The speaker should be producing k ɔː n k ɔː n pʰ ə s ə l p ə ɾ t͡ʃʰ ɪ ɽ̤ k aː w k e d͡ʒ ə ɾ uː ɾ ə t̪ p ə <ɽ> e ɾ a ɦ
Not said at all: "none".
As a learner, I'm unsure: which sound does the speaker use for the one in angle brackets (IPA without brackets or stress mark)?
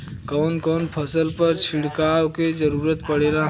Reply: ɽ